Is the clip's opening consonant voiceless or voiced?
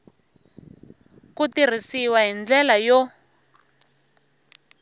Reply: voiceless